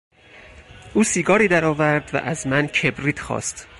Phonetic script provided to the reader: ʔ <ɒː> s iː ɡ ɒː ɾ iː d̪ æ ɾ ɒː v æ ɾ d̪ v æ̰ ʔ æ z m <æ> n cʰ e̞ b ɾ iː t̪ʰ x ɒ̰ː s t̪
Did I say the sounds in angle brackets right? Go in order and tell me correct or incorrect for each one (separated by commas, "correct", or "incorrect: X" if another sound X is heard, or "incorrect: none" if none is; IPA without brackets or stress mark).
incorrect: uː, correct